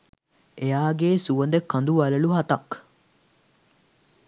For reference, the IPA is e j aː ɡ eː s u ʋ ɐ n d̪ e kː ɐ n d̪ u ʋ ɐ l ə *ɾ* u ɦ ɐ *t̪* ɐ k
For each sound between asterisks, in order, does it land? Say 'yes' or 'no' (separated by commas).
no, yes